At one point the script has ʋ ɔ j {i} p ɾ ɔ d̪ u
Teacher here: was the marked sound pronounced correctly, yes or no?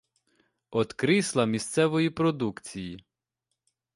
yes